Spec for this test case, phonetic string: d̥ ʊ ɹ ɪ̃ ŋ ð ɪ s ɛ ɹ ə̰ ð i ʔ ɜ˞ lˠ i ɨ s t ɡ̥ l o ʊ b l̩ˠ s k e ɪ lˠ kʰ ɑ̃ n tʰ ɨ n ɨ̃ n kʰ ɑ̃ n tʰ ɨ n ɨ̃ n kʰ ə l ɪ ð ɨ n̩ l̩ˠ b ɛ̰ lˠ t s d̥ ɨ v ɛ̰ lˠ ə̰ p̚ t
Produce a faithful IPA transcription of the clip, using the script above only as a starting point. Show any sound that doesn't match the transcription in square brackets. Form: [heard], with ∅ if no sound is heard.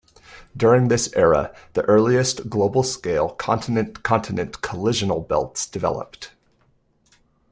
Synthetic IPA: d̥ ʊ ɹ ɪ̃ ŋ ð ɪ s ɛ ɹ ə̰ ð i ʔ ɜ˞ lˠ i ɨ s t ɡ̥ l o ʊ b l̩ˠ s k e ɪ lˠ kʰ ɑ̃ n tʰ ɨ n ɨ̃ n kʰ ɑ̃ n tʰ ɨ n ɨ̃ n kʰ ə l ɪ [ʒ] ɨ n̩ l̩ˠ b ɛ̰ lˠ t s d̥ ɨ v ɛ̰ lˠ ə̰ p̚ t